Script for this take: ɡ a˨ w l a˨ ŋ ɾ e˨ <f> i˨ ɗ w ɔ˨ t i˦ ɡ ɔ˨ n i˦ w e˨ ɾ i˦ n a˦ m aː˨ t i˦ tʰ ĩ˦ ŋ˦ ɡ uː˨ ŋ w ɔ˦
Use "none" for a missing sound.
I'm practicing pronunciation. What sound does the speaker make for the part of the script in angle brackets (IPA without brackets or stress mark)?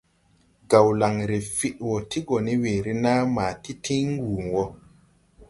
f